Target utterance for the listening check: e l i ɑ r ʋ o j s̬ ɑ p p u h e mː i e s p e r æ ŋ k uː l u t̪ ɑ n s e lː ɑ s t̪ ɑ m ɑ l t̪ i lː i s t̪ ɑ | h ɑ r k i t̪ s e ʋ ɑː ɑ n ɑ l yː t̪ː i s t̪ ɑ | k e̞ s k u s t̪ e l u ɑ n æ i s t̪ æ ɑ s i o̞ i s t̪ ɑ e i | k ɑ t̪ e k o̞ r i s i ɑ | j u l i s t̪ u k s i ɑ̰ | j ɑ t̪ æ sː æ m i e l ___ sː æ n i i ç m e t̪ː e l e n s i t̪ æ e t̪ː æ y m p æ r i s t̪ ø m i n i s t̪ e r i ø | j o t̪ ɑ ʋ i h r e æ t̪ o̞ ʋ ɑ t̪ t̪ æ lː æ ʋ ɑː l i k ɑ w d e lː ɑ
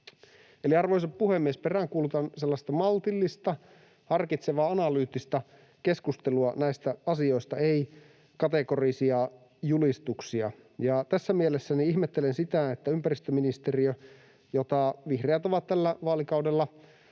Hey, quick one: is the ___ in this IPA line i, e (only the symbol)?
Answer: e